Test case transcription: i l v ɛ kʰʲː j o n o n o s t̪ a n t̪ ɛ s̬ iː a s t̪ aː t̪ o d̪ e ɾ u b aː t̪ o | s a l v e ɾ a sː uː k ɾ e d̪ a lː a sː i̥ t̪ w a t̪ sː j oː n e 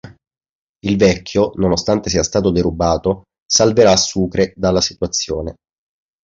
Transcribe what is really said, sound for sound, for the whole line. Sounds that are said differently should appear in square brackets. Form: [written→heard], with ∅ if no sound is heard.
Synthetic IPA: i l v ɛ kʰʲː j o n o n o s t̪ a n t̪ [ɛ→e] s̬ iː a s t̪ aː t̪ o d̪ e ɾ u b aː t̪ o | s a l v e ɾ a sː uː k ɾ e d̪ a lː a [sː→s] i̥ t̪ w a t̪ sː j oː n e